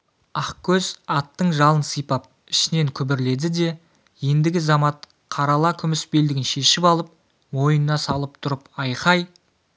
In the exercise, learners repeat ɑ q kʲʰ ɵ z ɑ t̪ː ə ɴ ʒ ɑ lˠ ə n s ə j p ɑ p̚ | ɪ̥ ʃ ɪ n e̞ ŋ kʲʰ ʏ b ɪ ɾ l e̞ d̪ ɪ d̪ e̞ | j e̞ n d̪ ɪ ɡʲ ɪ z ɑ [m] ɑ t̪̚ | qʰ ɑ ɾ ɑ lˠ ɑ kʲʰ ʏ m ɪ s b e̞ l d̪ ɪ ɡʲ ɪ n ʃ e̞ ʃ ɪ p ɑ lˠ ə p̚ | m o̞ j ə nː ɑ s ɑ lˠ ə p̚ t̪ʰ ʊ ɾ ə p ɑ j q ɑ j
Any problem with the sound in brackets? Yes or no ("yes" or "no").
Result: no